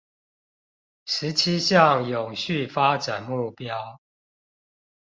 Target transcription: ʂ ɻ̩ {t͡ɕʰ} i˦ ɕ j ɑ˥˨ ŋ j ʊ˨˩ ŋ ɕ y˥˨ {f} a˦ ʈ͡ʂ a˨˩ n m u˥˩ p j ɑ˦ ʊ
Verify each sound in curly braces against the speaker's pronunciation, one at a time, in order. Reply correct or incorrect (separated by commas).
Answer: correct, correct